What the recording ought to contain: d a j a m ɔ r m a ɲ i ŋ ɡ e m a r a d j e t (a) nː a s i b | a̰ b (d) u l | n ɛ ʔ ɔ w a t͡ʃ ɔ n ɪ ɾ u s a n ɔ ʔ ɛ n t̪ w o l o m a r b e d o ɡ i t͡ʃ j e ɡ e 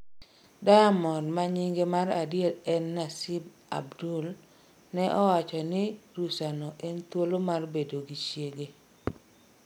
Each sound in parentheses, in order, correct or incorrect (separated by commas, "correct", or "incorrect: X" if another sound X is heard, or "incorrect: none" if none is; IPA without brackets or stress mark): incorrect: ɛ, correct